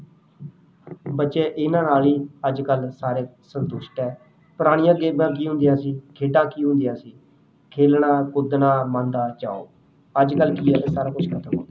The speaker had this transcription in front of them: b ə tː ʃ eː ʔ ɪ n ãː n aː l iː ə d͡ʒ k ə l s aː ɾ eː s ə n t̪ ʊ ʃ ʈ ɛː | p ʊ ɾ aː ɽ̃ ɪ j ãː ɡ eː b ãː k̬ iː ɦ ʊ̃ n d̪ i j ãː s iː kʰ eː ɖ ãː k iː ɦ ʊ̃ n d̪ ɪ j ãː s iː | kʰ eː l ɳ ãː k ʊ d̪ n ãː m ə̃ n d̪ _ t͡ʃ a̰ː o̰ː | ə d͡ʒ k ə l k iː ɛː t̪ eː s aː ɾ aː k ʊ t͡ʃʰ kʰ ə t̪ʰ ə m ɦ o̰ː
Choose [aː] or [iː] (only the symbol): aː